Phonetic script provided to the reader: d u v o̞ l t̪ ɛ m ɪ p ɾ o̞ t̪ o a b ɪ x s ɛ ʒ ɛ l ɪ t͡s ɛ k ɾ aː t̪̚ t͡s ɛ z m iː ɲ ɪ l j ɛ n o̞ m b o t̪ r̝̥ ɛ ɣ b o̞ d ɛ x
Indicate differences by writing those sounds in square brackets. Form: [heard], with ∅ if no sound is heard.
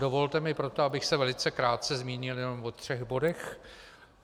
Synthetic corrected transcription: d [o] v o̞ l t̪ ɛ m ɪ p ɾ o̞ t̪ o a b ɪ x s ɛ [v] ɛ l ɪ t͡s ɛ k ɾ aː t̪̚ t͡s ɛ z m iː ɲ ɪ l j ɛ n o̞ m [v] o t̪ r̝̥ ɛ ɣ b o̞ d ɛ x